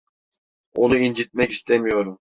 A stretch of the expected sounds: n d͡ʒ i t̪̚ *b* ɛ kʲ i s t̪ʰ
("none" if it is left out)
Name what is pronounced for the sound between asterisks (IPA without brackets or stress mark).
m